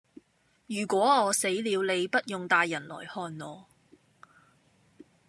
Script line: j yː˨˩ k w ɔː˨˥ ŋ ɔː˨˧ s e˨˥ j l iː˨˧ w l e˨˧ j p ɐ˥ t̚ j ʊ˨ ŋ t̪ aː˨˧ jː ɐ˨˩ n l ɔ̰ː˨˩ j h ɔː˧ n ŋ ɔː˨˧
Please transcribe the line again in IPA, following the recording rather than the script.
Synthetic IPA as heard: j yː˨˩ k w ɔː˨˥ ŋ ɔː˨˧ s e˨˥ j l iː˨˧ w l e˨˧ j p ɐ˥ t̚ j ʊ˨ ŋ t̪ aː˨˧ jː ɐ˨˩ n l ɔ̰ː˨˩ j h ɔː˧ n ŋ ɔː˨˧